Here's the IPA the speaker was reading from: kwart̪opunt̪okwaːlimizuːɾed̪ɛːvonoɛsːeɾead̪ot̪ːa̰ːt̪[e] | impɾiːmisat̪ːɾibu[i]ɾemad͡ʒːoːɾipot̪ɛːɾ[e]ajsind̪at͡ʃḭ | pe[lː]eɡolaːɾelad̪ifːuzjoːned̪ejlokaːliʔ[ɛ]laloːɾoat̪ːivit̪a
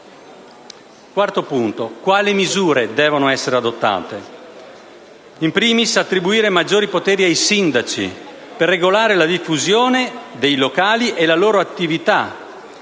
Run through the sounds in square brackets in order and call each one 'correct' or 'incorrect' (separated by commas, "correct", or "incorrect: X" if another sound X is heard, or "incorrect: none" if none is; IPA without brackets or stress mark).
correct, incorrect: iː, incorrect: i, incorrect: rː, incorrect: e